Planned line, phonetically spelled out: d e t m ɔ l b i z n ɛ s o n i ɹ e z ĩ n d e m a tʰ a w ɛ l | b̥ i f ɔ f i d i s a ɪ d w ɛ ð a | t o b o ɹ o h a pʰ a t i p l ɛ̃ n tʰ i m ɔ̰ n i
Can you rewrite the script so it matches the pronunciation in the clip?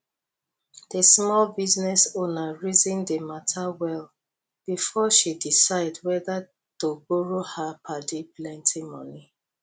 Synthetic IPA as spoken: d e s m ɔ l b i z n ɛ s o n a ɹ i z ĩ n d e m a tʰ a w ɛ l | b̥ i f ɔ ʃ i d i s a ɪ d w ɛ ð a | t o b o ɹ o h a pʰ a d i p l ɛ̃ n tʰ i m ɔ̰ n i